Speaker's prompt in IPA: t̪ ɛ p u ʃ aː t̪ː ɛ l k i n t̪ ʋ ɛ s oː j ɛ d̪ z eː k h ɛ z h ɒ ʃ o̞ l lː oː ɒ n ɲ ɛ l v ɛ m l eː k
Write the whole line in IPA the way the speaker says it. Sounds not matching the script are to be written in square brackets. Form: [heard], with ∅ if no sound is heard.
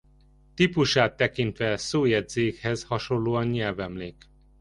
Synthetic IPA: t̪ [i] p u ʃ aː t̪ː ɛ [∅] k i n t̪ ʋ ɛ s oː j ɛ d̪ z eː k h ɛ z h ɒ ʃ o̞ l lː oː ɒ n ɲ ɛ l v ɛ m l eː k